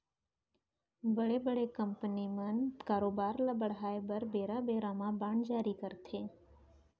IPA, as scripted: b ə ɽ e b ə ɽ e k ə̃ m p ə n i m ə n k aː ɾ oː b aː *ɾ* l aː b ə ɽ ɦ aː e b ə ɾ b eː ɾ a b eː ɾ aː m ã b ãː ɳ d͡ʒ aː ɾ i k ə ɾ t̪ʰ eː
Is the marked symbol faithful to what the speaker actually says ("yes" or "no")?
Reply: yes